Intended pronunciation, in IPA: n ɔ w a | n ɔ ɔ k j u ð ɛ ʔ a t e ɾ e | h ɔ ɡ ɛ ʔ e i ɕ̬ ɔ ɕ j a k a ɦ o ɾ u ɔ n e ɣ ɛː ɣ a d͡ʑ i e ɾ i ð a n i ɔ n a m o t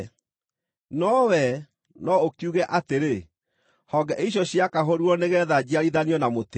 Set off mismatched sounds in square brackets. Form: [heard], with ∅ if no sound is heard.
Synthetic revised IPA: n ɔ w [ɛ] | n ɔ [o] k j u [ɣ] ɛ ʔ a t e ɾ e | h ɔ ɡ ɛ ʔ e i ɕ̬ ɔ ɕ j a k a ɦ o ɾ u ɔ n e ɣ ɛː [ð] a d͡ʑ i [a] ɾ i ð a n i ɔ n a m o t